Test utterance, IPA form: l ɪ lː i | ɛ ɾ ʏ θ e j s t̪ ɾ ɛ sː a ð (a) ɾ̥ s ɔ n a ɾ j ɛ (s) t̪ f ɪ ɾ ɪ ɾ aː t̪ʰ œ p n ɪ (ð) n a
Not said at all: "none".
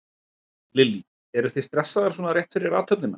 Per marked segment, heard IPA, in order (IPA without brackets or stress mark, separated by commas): a, h, none